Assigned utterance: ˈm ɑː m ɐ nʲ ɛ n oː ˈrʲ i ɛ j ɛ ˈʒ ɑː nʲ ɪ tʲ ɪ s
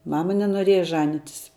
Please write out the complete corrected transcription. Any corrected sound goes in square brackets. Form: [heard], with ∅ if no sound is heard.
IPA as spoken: ˈm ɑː m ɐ nʲ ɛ n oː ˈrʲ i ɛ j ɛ ˈʒ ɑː nʲ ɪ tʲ ɪ s